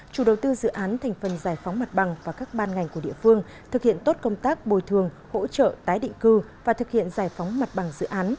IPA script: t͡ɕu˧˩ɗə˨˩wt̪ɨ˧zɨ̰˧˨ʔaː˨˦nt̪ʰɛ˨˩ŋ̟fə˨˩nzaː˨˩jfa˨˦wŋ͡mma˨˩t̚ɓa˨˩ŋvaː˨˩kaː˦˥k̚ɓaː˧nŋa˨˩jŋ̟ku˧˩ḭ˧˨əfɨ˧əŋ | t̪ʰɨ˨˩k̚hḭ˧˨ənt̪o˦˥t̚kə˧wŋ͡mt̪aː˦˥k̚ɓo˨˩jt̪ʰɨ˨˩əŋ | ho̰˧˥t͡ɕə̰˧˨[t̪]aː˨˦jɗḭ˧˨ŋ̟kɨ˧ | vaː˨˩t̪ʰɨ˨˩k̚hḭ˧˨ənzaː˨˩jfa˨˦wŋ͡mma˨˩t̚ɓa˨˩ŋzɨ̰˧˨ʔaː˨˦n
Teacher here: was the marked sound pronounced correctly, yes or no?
yes